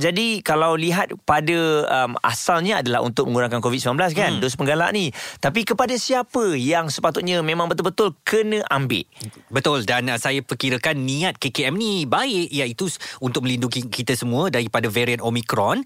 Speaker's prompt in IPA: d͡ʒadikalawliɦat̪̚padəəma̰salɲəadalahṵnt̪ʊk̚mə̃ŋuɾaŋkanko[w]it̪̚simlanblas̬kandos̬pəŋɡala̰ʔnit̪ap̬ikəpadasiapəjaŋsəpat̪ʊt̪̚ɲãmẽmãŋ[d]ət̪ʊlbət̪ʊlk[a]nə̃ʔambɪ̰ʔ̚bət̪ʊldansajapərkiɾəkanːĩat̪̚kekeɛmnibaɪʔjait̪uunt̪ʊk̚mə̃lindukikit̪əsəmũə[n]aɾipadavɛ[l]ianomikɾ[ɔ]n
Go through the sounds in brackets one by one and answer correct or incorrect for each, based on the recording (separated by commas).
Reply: incorrect, incorrect, incorrect, incorrect, incorrect, correct